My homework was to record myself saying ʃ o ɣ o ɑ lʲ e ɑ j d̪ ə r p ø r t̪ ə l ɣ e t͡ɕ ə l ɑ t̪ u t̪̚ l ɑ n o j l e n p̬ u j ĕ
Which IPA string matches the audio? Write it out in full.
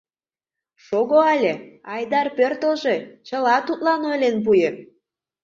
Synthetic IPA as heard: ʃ o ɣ o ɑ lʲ e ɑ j d̪ ɑ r p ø r t̪ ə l ʒ e t͡ɕ ə l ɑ t̪ u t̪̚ l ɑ n o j l e n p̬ u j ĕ